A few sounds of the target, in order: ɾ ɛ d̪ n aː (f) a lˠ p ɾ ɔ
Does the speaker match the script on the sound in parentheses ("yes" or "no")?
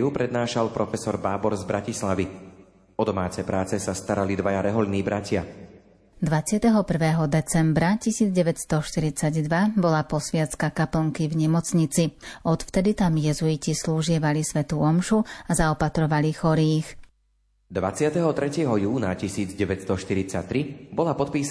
no